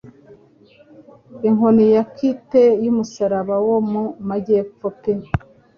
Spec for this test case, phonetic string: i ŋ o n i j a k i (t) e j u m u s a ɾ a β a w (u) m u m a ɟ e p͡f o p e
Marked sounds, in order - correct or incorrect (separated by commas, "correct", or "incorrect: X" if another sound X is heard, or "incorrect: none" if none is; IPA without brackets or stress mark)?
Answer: correct, incorrect: o